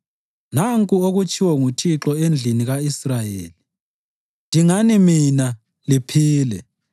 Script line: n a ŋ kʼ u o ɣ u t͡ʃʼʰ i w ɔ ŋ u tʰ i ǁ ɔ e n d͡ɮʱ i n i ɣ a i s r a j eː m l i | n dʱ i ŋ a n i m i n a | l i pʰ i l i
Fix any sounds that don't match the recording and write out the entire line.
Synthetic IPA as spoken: n a ŋ kʼ u o ɣ u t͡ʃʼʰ i w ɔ ŋ u tʰ i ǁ ɔ e n d͡ɮʱ i n i ɣ a i s r a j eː l i | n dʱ i ŋ a n i m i n a | l i pʰ iː l ɛ